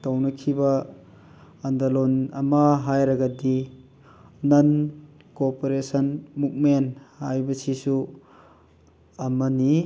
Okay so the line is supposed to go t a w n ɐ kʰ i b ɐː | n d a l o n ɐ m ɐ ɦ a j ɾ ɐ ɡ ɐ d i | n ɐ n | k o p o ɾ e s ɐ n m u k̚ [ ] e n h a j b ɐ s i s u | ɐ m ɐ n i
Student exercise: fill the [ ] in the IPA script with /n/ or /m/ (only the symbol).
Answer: m